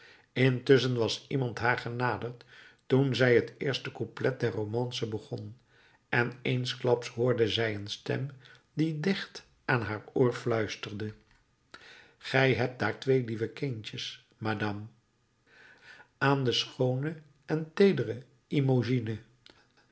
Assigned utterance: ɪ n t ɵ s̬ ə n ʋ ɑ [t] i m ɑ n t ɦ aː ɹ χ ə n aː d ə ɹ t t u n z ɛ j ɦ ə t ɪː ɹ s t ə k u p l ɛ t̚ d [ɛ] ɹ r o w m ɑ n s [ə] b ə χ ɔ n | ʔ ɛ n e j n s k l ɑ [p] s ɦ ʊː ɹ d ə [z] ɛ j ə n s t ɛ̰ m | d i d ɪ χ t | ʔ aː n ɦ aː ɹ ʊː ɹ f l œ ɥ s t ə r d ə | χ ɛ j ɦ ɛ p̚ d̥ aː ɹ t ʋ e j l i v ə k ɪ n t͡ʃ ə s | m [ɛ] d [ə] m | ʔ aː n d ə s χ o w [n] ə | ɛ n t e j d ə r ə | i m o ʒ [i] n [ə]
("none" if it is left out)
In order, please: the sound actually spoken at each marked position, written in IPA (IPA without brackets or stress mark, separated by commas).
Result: s, ɛ, ə, p, z, a, ɑ, n, i, ə